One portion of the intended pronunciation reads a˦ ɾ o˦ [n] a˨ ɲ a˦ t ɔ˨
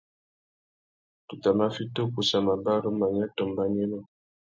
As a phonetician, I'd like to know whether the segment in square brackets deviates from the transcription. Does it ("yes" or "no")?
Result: yes